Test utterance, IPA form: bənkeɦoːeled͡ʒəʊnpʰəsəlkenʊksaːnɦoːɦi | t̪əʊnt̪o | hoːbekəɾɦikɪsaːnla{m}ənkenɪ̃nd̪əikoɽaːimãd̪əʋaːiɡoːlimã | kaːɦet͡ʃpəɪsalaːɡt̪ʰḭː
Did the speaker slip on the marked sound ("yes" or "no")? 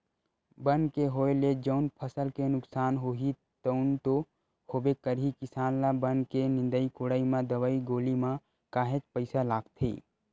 yes